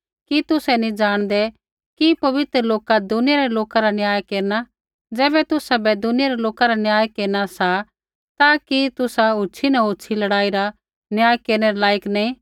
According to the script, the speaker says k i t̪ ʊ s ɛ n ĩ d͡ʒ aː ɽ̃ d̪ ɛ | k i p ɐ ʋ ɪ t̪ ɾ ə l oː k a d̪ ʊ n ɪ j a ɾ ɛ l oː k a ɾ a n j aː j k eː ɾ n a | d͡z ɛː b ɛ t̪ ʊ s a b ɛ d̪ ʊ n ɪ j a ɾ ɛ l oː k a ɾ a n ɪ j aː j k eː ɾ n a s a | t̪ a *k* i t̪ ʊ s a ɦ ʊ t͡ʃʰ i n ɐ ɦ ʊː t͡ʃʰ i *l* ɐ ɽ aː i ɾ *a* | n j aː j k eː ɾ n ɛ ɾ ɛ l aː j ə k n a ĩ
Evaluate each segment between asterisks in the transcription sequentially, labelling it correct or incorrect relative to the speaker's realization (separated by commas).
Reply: correct, correct, correct